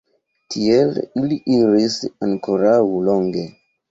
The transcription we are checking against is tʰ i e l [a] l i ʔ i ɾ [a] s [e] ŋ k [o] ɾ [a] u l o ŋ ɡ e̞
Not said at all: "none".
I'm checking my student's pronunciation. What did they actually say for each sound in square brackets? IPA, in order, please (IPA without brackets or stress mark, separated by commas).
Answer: i, i, a, o, a